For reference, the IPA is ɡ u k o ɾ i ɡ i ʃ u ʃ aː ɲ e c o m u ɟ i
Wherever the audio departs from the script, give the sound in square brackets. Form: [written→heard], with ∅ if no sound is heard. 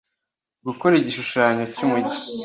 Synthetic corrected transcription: ɡ u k o ɾ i [ɡ→ɟ] i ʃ u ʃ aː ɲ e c [o→u] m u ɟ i